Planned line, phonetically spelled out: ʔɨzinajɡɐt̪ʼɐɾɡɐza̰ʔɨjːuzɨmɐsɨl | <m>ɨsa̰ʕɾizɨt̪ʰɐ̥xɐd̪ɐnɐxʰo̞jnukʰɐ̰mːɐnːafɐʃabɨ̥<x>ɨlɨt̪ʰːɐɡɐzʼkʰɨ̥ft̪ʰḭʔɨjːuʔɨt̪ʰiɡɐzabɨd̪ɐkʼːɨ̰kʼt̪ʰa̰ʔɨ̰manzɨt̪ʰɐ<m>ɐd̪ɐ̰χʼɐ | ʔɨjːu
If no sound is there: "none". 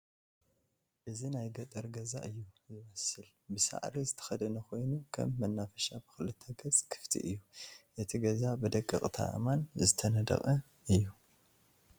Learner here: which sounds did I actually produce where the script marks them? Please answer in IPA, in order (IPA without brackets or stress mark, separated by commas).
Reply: b, x, n